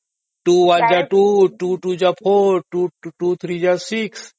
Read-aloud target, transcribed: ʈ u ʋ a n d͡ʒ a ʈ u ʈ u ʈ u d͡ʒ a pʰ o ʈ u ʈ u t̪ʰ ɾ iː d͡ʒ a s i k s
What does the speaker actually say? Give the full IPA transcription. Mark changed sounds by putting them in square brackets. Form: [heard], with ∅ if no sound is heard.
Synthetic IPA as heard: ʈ u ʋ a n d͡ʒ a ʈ u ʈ u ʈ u d͡ʒ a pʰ o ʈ u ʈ u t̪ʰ ɾ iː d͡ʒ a s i k s